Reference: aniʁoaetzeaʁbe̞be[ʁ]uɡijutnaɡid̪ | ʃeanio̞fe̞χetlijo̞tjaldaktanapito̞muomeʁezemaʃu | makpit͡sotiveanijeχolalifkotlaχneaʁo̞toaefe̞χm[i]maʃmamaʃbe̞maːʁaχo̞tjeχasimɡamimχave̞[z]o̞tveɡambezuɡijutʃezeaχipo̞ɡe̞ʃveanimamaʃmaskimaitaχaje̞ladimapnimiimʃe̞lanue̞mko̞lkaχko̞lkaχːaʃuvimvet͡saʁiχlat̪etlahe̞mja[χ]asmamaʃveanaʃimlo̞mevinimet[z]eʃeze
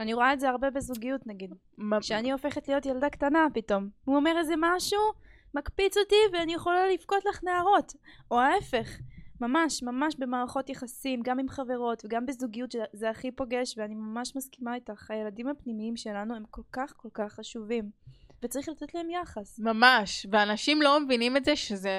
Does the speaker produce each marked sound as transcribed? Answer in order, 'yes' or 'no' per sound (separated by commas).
no, no, no, yes, yes